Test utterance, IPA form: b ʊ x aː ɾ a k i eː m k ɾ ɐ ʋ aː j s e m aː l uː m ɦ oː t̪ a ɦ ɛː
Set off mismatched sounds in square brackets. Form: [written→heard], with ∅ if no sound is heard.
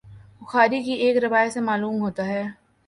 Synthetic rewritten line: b ʊ x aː ɾ [a→i] k i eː [m→∅] k ɾ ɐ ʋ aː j s e m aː l uː m ɦ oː t̪ a ɦ ɛː